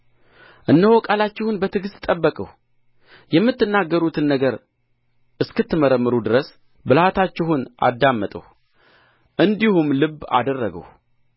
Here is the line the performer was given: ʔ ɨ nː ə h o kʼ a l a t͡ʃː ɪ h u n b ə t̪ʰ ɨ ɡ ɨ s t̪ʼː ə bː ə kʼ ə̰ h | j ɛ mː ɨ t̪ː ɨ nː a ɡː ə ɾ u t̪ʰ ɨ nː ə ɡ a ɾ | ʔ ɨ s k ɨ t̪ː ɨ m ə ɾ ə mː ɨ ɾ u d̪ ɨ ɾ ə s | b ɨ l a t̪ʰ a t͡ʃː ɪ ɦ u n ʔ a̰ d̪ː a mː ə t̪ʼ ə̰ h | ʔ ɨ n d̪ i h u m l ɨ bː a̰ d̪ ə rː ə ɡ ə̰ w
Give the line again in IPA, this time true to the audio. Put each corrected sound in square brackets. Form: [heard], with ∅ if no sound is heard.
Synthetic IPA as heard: ʔ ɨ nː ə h o kʼ a l a t͡ʃː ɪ h u n b ə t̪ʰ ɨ ɡ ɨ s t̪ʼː ə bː ə kʼ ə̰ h | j ɛ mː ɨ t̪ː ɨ nː a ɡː ə ɾ u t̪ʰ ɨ nː ə ɡ [ə] ɾ | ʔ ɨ s k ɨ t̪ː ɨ m ə ɾ ə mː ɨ ɾ u d̪ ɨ ɾ ə s | b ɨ l a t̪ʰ a t͡ʃː ɪ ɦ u n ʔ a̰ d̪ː a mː ə t̪ʼ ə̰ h | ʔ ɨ n d̪ i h u m l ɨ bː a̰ d̪ ə rː ə ɡ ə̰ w